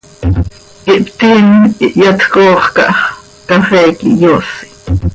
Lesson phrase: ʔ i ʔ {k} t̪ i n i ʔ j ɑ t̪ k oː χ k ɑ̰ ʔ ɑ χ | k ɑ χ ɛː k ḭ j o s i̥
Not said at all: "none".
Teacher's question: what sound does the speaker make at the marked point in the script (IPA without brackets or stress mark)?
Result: p